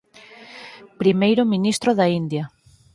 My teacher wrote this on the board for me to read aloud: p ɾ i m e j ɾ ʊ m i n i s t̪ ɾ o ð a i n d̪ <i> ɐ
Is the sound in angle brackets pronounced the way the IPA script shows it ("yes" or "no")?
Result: no